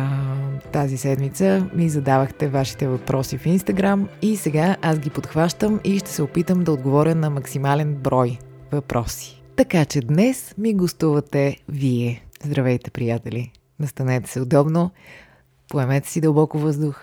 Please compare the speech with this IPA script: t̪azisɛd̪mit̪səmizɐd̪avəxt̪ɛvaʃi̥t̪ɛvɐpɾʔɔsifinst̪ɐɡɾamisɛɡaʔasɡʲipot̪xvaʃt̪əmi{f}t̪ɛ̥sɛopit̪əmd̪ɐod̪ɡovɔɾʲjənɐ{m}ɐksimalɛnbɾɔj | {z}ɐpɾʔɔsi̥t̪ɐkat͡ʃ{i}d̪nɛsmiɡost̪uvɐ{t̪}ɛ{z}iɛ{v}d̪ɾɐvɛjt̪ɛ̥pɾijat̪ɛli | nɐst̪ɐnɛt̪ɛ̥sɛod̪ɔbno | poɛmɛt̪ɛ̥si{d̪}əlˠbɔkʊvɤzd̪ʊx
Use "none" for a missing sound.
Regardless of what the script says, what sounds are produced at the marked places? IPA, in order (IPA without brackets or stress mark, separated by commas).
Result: ʃ, m, v, ɛ, t̪, v, z, d̪